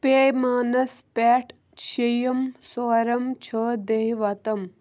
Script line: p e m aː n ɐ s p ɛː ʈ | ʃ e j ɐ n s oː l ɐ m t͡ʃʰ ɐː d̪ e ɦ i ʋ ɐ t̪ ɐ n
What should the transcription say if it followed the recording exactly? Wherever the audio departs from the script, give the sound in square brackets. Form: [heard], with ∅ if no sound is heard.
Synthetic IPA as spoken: p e m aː n ɐ s p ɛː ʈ | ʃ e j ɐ [m] s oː [ɾ] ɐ m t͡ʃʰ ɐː d̪ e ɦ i ʋ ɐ t̪ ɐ [m]